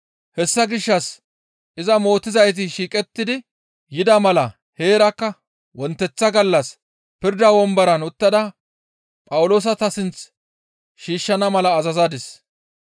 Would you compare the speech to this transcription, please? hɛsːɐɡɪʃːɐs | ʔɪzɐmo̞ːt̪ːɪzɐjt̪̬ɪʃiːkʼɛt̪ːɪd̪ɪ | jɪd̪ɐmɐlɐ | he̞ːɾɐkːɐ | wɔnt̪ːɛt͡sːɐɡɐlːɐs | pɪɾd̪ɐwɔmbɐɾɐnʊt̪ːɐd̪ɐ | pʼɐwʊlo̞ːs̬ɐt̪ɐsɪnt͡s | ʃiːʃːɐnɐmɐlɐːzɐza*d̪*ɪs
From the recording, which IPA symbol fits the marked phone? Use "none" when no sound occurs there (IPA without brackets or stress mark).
d̪